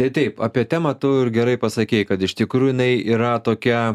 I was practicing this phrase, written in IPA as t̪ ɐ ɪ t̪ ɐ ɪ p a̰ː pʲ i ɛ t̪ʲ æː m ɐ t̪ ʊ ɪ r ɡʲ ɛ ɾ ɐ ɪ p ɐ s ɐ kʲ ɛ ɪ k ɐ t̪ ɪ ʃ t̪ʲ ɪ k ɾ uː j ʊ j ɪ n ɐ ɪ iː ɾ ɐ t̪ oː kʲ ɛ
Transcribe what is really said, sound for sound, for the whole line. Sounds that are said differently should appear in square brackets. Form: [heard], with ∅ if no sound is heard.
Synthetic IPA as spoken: t̪ ɐ ɪ t̪ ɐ ɪ p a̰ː pʲ i ɛ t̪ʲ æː m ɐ t̪ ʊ ɪ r ɡʲ ɛ ɾ ɐ ɪ p ɐ s ɐ kʲ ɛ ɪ k ɐ t̪ ɪ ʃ t̪ʲ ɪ k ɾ uː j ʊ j ɪ n ɐ ɪ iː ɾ ɐ t̪ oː kʲ ɛ

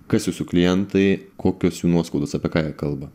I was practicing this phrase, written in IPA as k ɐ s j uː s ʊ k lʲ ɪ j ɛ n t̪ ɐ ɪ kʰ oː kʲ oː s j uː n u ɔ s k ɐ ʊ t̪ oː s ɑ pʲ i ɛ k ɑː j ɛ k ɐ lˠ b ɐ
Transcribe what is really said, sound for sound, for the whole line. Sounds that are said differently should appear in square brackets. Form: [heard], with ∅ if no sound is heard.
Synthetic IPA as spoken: k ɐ s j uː s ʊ k lʲ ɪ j ɛ n t̪ ɐ ɪ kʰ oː kʲ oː s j uː n u ɔ s k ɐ ʊ [d̪] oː s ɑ pʲ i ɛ k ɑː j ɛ k ɐ lˠ b ɐ

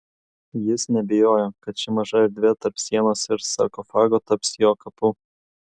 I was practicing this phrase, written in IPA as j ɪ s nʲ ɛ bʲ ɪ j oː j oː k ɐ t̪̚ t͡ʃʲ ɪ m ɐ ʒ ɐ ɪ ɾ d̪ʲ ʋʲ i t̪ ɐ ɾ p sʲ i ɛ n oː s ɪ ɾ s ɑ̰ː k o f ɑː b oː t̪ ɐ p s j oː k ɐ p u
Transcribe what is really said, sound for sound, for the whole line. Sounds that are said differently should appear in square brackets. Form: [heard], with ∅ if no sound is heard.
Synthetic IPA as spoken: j ɪ s nʲ ɛ bʲ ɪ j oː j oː k ɐ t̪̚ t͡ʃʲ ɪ m ɐ ʒ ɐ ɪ ɾ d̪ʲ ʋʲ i t̪ ɐ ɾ p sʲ i ɛ n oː s ɪ ɾ s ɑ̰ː k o f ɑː [ɡ] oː t̪ ɐ p s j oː k ɐ p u

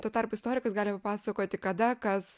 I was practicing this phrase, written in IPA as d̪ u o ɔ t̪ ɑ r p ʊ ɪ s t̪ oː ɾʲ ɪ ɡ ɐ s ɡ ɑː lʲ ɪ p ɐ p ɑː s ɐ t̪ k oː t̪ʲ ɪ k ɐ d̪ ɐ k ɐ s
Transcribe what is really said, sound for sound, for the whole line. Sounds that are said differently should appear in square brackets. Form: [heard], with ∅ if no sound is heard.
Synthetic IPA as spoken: [t̪] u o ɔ t̪ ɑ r p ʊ ɪ s t̪ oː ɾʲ ɪ [k] ɐ s ɡ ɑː lʲ ɪ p ɐ p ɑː s ɐ [∅] k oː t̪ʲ ɪ k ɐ d̪ ɐ k ɐ s

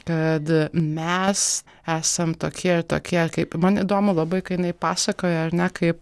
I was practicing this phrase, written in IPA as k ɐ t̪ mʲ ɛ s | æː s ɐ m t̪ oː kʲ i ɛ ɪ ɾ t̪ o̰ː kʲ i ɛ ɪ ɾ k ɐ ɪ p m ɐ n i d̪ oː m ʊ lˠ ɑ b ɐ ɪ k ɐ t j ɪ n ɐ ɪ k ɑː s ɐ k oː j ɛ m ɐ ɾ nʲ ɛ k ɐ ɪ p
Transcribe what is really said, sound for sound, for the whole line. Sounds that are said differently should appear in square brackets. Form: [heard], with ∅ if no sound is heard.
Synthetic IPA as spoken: k ɐ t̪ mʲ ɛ s | æː s ɐ m t̪ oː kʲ i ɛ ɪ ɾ t̪ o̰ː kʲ i ɛ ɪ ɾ k ɐ ɪ p m ɐ n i d̪ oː m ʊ lˠ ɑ b ɐ ɪ k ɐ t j ɪ n ɐ ɪ [p] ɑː s ɐ k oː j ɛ [∅] ɐ ɾ nʲ ɛ k ɐ ɪ p

